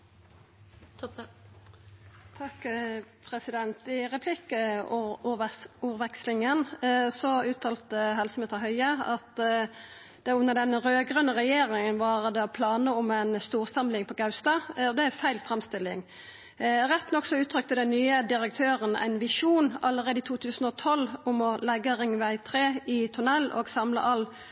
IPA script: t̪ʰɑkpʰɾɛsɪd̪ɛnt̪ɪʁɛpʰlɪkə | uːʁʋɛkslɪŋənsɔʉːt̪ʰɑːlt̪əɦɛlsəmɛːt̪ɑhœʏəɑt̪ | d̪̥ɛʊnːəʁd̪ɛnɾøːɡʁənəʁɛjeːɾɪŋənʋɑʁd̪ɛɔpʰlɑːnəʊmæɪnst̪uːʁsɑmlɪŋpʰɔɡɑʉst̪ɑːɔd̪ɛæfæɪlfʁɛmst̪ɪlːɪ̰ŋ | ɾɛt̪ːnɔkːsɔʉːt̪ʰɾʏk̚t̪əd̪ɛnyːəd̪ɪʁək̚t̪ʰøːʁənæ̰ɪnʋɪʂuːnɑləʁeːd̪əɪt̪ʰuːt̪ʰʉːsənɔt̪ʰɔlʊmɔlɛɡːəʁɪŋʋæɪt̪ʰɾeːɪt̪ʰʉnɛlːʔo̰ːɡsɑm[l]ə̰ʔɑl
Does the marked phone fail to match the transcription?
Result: no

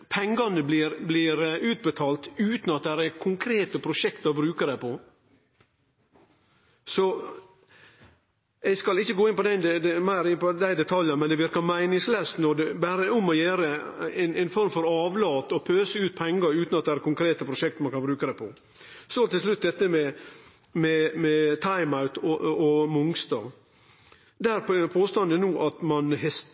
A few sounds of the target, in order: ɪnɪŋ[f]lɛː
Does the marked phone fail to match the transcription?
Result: yes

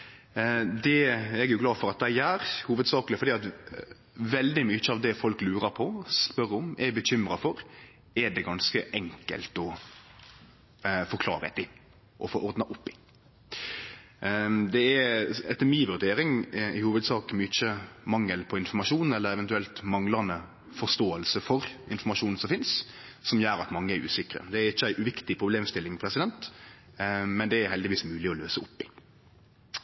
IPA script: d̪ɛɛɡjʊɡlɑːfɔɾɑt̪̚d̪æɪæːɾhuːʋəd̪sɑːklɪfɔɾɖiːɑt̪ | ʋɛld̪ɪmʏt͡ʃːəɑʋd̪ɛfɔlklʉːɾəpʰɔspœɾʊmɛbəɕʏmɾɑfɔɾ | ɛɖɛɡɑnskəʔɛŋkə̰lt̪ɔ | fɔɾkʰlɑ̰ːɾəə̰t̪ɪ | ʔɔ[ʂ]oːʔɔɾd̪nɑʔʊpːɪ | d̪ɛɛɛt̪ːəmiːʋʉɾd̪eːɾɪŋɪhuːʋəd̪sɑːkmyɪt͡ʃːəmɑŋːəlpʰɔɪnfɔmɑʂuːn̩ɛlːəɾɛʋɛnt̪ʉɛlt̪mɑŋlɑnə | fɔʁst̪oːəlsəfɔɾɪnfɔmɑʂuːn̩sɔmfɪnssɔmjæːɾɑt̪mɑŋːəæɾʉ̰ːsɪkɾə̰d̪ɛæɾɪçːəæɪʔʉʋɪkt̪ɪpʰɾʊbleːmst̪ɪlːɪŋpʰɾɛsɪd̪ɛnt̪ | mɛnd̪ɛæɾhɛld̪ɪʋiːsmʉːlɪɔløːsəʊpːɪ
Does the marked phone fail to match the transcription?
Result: yes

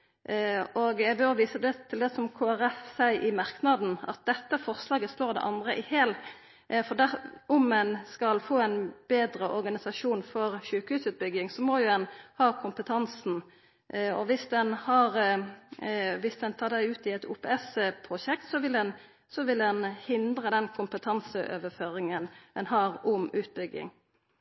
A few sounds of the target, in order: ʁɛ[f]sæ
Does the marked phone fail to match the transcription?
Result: no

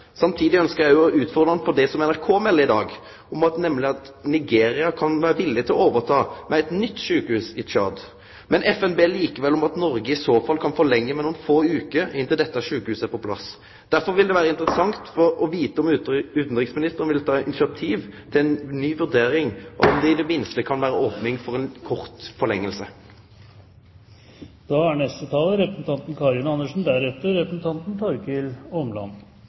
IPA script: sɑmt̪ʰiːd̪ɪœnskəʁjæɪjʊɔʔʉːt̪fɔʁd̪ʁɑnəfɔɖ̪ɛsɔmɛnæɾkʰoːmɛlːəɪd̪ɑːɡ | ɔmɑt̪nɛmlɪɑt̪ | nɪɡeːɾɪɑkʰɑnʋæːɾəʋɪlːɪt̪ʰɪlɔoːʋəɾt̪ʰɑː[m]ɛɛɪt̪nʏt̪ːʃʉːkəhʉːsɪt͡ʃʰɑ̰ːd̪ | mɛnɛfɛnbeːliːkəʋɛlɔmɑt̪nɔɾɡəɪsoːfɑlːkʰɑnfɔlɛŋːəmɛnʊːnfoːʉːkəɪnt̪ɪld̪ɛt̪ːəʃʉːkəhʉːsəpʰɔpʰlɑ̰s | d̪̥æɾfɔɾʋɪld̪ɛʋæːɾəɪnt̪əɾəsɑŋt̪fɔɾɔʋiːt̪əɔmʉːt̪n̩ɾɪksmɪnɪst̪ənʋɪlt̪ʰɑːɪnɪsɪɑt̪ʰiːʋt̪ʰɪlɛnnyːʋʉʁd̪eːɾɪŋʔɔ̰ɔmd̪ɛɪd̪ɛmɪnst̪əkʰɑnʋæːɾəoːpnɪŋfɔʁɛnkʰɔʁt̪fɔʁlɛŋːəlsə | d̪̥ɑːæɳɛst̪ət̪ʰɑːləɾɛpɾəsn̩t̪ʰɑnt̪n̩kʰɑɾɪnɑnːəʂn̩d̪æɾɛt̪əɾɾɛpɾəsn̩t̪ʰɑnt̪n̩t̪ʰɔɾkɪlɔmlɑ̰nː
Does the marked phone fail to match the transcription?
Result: no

